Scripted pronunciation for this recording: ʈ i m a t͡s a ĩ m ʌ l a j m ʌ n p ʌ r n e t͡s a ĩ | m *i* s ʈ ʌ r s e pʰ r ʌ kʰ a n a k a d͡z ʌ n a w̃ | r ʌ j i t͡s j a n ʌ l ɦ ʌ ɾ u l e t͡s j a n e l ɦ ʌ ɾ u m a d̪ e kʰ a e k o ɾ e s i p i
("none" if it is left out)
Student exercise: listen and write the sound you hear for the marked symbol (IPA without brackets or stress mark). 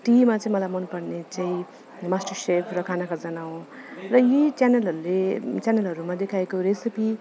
a